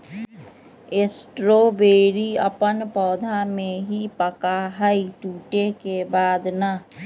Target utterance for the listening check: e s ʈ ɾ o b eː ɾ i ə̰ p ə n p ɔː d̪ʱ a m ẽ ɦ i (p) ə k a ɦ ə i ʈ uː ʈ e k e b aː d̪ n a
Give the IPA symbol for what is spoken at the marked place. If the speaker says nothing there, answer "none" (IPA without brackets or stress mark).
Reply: p